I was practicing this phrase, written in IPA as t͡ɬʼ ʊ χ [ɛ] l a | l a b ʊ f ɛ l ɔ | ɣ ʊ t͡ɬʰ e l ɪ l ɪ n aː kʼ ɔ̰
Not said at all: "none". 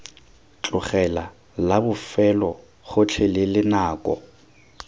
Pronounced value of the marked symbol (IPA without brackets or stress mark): ɛ